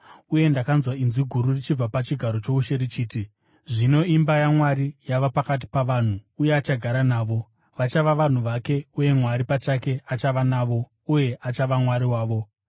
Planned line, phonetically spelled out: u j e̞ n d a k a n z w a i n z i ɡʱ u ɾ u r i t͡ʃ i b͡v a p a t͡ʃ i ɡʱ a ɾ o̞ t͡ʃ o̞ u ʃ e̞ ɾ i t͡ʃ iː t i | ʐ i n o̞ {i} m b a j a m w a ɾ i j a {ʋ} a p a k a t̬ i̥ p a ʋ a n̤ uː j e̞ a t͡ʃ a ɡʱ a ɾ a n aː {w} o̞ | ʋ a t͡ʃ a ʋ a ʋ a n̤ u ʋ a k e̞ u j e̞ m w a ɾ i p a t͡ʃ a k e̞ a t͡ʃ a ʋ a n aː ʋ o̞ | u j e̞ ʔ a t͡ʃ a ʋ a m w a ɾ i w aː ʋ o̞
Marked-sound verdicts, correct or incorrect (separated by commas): correct, correct, incorrect